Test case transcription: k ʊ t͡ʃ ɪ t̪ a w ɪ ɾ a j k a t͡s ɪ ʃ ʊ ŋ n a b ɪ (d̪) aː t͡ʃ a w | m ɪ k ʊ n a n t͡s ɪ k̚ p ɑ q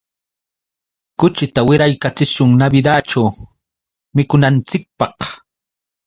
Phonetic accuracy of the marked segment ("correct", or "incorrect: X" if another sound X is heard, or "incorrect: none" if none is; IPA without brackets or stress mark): correct